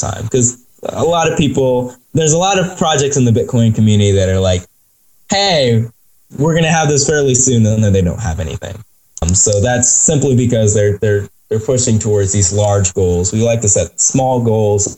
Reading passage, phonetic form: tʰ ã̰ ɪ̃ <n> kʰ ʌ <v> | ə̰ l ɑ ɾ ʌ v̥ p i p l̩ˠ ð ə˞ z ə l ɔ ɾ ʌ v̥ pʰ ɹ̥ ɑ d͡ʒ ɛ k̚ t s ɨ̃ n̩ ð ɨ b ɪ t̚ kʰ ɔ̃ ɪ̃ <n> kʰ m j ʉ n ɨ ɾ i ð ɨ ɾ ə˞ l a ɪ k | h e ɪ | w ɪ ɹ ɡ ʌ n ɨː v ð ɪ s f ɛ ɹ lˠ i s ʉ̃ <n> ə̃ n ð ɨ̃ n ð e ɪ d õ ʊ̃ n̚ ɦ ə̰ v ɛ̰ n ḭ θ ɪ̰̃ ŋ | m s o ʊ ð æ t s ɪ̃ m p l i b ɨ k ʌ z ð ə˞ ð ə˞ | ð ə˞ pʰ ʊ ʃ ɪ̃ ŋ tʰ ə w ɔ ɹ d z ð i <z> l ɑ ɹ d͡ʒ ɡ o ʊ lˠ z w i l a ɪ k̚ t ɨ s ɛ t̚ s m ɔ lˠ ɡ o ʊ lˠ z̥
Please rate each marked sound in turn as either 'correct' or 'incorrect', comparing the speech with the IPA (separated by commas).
incorrect, incorrect, correct, correct, correct